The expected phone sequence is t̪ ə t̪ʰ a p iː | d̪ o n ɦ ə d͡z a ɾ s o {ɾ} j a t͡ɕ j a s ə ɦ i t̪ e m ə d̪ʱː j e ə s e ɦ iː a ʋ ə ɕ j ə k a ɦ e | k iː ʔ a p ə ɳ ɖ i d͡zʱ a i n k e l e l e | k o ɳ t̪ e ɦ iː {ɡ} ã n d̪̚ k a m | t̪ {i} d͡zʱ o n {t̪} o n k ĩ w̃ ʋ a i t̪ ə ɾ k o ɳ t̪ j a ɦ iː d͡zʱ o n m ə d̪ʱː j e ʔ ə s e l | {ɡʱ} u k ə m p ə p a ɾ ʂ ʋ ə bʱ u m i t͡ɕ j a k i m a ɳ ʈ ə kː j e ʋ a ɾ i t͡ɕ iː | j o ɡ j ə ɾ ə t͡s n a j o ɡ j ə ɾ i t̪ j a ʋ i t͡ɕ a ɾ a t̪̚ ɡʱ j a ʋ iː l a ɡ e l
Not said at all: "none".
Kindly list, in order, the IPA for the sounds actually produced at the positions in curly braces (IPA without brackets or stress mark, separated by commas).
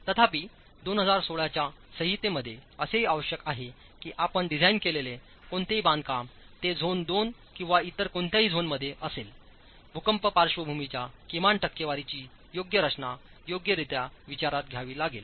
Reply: ɭ, b, e, d̪, bʱ